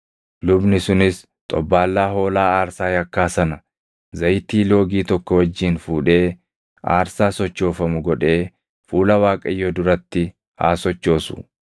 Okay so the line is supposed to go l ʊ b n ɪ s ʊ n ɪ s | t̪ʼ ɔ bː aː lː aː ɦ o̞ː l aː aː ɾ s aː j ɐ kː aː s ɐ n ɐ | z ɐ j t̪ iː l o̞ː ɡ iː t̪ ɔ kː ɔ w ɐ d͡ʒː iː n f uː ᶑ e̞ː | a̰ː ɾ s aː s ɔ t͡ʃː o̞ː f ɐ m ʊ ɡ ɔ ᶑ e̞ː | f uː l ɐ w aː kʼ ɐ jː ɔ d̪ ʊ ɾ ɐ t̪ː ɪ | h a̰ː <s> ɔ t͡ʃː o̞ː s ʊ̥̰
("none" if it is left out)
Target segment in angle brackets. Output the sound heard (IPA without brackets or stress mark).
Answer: s